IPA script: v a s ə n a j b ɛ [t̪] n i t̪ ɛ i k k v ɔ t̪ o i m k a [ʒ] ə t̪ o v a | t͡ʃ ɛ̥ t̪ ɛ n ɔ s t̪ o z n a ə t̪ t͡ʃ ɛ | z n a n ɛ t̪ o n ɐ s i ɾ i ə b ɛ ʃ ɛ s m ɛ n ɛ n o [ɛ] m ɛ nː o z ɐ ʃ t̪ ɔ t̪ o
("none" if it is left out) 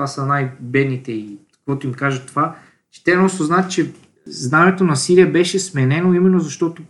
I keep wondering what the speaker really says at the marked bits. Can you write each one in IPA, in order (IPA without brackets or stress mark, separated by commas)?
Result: d̪, ʒ, i